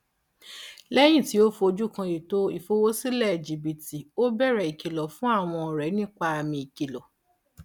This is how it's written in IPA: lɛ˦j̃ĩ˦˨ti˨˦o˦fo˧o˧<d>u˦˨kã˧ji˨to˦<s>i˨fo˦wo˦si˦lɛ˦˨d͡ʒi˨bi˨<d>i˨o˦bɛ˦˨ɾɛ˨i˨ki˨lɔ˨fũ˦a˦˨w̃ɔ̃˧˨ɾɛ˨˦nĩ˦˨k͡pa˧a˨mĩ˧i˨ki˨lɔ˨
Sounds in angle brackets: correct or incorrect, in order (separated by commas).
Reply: incorrect, incorrect, incorrect